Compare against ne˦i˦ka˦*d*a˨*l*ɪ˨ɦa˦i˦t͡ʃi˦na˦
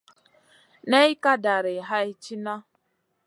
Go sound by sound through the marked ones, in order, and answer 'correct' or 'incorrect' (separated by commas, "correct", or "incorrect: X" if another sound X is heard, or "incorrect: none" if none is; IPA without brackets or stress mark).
correct, incorrect: ɾ